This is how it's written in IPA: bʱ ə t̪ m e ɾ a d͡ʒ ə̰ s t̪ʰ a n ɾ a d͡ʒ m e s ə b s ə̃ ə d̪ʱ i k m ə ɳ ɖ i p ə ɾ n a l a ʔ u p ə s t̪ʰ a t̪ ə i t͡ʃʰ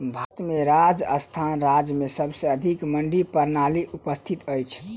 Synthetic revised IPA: bʱ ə t̪ m e ɾ a d͡ʒ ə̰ s t̪ʰ a n ɾ a d͡ʒ m e s ə b s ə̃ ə d̪ʱ i k m ə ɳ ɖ i p ə ɾ n a l i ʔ u p ə s t̪ʰ i t̪ ə j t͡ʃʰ